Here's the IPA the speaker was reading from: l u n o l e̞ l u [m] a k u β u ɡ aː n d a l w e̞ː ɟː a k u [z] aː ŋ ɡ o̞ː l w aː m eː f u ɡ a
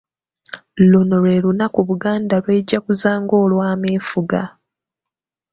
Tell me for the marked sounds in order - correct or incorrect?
incorrect, correct

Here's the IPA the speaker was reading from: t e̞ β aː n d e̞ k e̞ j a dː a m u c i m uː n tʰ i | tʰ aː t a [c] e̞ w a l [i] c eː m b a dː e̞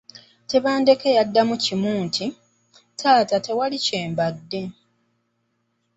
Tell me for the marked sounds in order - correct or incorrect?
incorrect, correct

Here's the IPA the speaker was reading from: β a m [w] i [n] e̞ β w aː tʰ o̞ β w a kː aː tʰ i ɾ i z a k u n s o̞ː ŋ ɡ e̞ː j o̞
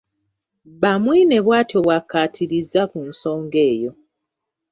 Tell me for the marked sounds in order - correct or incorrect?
correct, correct

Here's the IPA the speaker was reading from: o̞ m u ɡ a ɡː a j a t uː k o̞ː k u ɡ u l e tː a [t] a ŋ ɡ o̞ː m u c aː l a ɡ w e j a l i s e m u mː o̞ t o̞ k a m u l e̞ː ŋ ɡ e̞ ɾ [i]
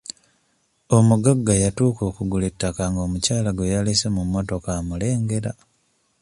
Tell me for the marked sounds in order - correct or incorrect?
incorrect, incorrect

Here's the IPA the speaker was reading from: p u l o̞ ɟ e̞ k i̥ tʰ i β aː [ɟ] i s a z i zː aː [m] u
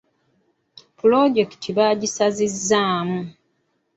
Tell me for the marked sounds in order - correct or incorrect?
correct, correct

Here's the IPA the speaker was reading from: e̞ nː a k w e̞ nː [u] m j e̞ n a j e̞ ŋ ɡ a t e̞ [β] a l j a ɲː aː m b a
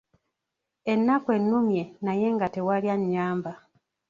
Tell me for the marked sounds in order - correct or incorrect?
correct, incorrect

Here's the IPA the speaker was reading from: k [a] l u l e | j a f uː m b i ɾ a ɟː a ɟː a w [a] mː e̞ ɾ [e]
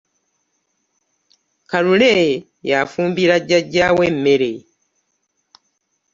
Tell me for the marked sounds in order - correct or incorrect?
correct, incorrect, correct

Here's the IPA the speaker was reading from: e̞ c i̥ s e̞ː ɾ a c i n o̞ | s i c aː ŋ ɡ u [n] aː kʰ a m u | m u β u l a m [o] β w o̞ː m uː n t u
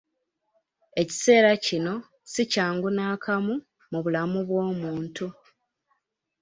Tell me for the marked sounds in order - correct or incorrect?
correct, incorrect

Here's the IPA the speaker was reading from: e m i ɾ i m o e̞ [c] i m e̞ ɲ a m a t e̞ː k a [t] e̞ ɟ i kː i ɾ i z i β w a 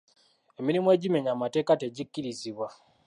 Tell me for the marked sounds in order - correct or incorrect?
incorrect, correct

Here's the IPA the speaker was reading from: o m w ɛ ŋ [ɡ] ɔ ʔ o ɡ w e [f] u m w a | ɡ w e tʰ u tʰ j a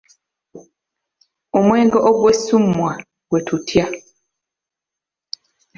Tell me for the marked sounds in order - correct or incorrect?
correct, incorrect

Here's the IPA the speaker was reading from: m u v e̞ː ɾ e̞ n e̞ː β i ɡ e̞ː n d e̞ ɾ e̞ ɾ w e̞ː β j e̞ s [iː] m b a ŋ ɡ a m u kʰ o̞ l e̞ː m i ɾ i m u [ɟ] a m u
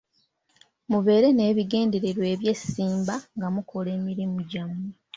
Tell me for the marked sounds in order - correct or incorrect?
correct, correct

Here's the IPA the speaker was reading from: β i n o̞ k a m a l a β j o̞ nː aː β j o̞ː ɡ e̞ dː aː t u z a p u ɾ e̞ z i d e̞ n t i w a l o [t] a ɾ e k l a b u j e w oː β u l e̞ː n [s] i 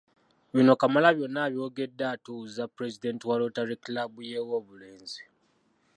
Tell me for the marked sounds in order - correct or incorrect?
correct, incorrect

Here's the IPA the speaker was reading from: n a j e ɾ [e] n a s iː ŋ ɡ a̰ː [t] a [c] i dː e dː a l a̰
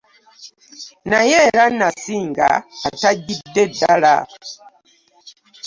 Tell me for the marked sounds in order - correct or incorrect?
incorrect, correct, incorrect

